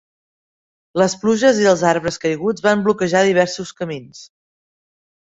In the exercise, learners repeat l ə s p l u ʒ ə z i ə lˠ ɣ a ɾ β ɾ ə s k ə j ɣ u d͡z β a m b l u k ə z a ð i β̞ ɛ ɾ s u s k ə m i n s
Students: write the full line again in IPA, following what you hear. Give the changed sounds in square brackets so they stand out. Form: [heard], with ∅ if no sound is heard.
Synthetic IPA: l ə s p l u ʒ ə z i ə lˠ [z] a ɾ β ɾ ə s k ə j ɣ u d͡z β a m b l u k ə [ʒ] a ð i β̞ ɛ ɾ s u s k ə m i n s